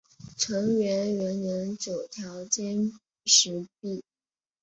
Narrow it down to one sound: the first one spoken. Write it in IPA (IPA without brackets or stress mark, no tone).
ʈ͡ʂʰ